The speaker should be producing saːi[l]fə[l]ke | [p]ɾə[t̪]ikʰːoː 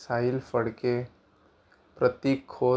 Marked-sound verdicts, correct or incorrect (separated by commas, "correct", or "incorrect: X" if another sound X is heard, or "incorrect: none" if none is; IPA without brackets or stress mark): correct, incorrect: ɽ, correct, correct